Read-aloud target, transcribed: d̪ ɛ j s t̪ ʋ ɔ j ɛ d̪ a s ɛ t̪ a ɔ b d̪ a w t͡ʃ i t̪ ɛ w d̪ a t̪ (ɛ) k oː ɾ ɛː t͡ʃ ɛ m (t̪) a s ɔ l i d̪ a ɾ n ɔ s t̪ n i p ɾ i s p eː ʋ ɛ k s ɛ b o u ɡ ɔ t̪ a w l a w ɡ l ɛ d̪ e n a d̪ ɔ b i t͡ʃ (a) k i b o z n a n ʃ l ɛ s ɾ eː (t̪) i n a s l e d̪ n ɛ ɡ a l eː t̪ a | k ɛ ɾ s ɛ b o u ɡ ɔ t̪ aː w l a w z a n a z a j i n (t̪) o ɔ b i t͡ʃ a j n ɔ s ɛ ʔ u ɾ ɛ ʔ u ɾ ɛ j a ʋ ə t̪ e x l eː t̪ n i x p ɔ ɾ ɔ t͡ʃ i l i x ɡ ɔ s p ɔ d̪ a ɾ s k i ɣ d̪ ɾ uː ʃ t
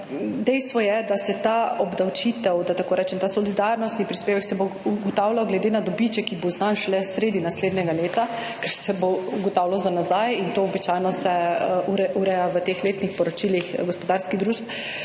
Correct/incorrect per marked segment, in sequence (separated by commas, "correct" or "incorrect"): incorrect, correct, incorrect, incorrect, correct